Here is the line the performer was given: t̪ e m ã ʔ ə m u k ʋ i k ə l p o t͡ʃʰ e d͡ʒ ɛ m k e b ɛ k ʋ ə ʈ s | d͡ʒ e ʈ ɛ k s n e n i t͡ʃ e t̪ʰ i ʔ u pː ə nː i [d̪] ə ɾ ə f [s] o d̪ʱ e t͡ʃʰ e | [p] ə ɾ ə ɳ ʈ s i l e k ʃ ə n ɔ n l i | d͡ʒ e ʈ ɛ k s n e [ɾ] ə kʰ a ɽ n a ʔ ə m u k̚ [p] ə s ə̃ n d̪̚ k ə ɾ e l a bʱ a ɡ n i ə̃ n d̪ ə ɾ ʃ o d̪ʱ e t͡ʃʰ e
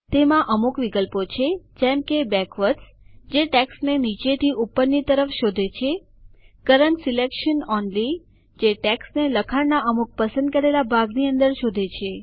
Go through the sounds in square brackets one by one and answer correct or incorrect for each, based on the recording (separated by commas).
incorrect, incorrect, incorrect, incorrect, correct